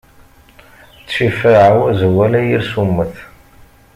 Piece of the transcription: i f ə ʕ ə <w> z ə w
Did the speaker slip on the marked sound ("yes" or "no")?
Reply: no